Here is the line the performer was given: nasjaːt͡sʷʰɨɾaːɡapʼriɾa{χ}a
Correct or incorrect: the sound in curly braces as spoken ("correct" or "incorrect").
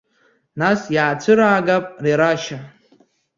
incorrect